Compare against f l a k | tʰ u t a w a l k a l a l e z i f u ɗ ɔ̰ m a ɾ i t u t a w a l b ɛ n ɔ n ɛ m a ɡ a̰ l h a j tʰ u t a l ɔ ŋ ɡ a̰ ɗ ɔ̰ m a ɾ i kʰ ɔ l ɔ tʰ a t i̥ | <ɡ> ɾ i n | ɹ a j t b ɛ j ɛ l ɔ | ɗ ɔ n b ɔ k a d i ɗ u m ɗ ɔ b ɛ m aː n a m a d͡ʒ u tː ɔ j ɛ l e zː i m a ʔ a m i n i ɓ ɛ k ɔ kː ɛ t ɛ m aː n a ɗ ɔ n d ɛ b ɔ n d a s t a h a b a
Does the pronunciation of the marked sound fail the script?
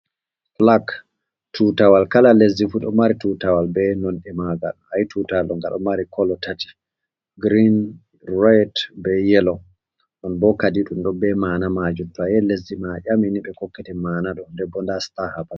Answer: no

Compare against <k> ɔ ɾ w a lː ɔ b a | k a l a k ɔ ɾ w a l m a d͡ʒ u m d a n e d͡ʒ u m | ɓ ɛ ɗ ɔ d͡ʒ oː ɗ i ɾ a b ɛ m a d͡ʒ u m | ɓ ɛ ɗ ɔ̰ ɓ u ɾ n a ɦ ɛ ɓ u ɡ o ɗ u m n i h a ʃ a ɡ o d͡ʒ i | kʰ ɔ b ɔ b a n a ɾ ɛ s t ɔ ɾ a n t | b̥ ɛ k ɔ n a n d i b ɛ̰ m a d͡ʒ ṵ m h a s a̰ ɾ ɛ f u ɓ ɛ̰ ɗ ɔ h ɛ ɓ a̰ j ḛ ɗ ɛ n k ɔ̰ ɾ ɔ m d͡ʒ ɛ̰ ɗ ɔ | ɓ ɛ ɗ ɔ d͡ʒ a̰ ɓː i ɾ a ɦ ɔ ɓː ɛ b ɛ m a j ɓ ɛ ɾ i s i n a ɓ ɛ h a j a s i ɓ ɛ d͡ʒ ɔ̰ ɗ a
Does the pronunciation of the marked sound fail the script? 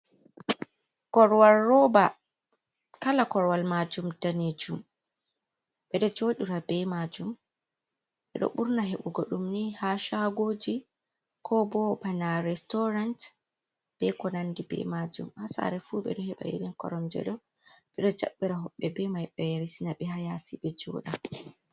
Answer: no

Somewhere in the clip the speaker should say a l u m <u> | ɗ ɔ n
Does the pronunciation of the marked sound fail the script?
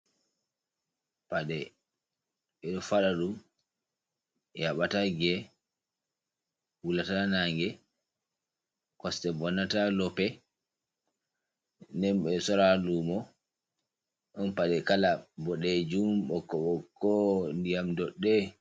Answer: yes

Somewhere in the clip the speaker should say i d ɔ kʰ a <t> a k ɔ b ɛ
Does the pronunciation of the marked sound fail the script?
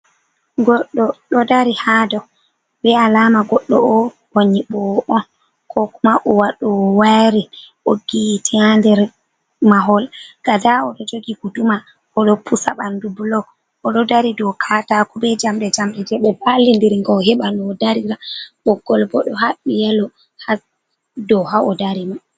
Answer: no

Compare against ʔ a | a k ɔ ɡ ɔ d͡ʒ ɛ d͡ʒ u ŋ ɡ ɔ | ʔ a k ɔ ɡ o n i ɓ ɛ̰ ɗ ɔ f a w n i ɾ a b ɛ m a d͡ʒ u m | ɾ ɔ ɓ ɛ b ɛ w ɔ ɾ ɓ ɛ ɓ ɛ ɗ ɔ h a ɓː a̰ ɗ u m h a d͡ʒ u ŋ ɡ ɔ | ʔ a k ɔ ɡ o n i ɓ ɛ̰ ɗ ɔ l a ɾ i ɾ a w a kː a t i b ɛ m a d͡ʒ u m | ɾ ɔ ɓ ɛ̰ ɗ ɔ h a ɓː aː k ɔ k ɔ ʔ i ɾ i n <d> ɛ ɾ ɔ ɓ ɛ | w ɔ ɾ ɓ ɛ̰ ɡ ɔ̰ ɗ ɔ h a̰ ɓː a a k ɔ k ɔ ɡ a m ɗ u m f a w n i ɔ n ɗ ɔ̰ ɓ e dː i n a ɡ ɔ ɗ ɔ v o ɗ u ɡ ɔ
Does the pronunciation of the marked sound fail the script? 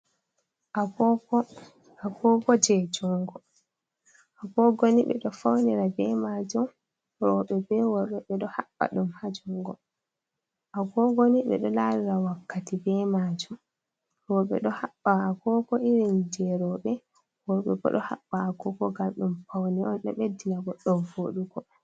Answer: yes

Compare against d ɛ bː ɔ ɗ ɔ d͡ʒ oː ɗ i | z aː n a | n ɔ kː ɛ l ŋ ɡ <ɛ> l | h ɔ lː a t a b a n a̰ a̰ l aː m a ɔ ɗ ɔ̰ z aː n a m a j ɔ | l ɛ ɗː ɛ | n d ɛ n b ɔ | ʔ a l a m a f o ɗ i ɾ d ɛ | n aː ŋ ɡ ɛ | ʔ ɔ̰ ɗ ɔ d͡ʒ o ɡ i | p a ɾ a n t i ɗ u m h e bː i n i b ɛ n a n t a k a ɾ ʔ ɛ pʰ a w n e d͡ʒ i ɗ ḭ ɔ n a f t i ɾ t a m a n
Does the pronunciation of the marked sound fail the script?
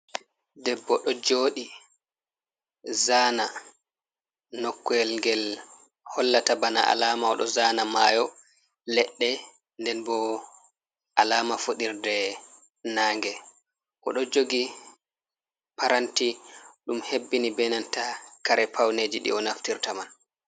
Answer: no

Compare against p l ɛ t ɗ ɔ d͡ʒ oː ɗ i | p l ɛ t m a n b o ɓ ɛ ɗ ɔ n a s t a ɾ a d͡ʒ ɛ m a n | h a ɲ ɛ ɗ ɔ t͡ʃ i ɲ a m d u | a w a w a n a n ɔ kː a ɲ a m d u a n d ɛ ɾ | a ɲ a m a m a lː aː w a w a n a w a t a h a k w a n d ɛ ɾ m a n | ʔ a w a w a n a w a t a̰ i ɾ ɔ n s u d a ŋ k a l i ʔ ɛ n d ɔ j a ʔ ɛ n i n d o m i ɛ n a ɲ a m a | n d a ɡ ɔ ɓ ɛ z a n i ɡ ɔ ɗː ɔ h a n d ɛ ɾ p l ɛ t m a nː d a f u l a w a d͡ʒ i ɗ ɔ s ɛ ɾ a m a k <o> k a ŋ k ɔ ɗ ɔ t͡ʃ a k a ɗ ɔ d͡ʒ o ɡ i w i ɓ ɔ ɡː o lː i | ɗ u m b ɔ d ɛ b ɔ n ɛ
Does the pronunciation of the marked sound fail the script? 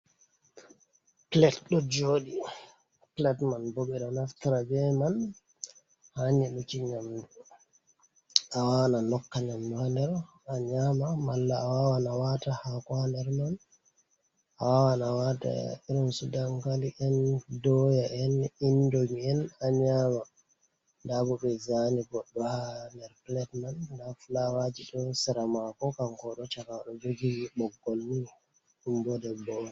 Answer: yes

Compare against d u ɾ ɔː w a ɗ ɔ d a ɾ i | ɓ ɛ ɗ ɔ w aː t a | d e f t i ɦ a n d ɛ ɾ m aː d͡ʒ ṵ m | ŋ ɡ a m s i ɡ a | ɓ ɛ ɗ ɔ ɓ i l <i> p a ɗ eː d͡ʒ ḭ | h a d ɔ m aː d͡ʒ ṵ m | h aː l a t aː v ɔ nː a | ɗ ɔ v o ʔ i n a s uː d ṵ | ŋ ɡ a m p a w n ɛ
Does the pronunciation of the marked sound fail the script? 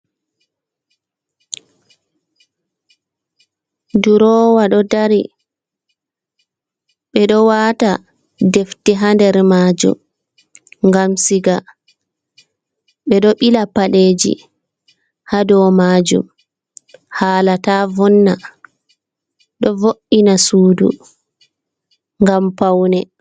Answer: yes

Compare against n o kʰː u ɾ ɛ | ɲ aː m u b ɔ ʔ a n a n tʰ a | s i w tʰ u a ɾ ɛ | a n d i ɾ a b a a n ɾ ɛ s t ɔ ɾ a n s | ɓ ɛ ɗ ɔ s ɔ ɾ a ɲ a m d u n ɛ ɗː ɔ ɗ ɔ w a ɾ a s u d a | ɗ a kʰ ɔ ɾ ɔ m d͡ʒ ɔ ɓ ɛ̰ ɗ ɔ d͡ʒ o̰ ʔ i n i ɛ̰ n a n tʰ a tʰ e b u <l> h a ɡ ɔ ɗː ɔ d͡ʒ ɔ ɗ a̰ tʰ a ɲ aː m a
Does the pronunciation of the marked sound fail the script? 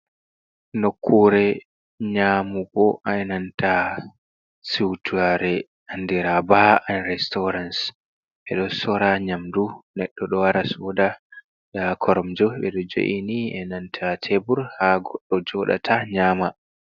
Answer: yes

